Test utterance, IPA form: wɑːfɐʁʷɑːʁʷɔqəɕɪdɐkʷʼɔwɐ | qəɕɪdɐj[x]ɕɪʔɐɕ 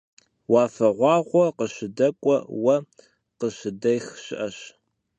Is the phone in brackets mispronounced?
no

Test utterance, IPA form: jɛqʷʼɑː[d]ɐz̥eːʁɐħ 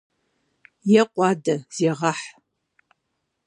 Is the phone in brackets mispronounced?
no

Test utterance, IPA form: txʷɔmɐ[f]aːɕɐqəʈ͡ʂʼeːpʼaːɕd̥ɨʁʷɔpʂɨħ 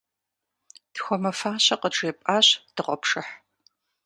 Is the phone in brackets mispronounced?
no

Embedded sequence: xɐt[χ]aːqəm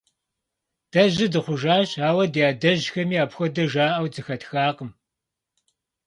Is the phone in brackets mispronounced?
yes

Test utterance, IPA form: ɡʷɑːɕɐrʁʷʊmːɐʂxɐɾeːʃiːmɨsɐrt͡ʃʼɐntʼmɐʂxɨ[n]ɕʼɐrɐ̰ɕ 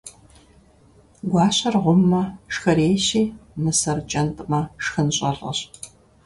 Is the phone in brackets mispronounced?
no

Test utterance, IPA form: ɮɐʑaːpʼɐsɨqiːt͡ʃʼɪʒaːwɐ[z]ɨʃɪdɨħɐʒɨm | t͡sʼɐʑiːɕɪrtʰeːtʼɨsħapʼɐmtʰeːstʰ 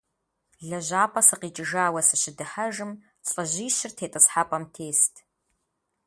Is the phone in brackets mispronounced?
yes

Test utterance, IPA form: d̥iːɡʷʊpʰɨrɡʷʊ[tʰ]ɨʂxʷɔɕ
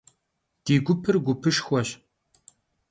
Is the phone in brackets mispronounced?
yes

